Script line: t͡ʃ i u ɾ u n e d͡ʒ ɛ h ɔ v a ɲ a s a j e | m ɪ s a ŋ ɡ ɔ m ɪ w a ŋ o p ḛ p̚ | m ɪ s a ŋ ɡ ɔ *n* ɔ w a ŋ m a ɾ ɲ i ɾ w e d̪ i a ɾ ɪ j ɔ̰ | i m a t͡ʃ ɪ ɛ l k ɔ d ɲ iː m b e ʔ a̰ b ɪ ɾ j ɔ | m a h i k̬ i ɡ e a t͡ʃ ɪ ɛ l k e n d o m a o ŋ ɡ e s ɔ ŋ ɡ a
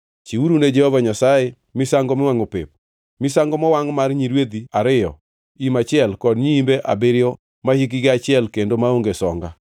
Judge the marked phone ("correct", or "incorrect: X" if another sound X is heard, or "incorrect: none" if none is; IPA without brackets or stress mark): incorrect: m